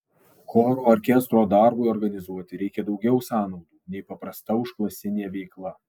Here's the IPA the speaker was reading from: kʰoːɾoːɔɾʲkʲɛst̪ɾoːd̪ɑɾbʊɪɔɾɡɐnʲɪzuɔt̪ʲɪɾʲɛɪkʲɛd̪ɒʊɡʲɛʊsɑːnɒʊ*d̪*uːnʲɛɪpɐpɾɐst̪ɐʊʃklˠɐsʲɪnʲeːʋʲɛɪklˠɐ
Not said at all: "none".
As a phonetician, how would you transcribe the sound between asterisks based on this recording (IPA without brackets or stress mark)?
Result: d̪